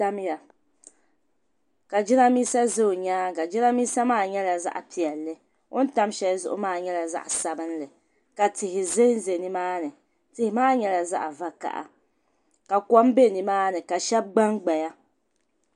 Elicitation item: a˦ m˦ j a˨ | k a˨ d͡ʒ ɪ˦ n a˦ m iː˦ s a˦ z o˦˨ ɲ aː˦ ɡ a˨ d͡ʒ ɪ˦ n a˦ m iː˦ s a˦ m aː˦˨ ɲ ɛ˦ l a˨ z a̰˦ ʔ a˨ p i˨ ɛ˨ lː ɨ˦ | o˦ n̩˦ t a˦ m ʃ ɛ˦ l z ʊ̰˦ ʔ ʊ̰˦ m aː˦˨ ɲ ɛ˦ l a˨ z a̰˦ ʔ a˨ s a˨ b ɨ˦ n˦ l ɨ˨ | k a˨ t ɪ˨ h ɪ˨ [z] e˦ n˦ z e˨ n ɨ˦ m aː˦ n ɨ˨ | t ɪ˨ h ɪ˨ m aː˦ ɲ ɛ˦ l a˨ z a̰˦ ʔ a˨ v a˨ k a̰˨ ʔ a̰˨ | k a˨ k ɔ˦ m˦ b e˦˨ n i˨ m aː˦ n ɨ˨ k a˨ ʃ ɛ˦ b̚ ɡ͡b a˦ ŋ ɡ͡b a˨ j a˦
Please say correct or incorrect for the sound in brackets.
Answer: correct